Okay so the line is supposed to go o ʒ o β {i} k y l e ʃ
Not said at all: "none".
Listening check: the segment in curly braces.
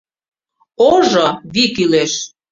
i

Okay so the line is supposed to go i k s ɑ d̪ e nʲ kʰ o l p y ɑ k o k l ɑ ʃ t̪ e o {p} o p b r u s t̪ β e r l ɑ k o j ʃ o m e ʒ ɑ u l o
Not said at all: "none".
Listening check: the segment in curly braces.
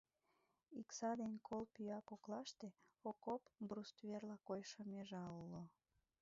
k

